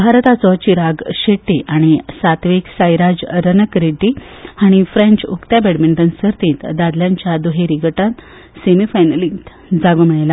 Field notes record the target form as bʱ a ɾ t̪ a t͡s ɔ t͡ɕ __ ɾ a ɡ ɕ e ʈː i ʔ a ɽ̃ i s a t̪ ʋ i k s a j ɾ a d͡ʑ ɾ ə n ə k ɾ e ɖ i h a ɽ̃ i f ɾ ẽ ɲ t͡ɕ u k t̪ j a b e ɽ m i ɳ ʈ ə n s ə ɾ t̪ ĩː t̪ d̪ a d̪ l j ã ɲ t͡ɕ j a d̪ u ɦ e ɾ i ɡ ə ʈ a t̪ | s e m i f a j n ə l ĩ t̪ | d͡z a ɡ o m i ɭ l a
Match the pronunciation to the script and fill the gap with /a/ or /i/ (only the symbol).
i